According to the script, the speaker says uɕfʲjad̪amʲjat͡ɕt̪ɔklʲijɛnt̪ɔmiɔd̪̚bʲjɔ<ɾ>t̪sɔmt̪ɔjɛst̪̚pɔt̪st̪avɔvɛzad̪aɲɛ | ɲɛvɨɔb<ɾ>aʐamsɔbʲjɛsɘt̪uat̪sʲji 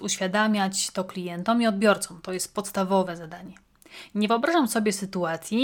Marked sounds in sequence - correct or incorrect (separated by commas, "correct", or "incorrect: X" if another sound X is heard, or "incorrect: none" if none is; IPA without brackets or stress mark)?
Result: correct, correct